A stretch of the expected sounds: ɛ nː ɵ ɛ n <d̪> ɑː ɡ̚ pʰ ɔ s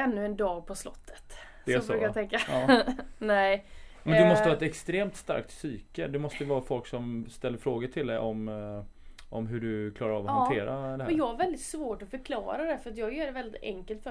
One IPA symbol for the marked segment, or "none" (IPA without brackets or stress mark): d̪